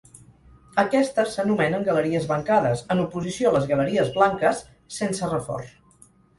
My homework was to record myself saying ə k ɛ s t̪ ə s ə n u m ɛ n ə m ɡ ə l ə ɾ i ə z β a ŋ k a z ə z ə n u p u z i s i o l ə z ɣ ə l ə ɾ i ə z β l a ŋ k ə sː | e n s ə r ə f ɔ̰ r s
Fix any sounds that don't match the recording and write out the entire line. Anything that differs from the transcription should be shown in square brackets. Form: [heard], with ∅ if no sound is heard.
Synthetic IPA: ə k ɛ s t̪ ə s ə n u m ɛ n ə [ŋ] ɡ ə l ə ɾ i ə z β [ə] ŋ k a [ð] ə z ə n u p u z i s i o l ə z ɣ ə l ə ɾ i ə z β l a ŋ k ə sː | e n s ə r ə f ɔ̰ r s